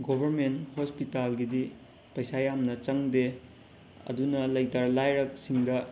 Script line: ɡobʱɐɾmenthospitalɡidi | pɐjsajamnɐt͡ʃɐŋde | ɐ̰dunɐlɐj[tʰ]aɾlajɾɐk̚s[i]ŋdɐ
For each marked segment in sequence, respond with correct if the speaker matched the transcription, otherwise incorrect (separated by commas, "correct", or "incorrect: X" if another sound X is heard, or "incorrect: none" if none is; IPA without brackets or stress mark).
incorrect: t, correct